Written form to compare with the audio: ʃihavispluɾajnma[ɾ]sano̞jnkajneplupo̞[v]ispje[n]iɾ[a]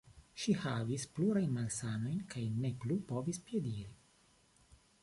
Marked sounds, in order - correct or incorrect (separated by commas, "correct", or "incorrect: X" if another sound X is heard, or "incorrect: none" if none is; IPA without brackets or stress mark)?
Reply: incorrect: l, correct, incorrect: d, incorrect: i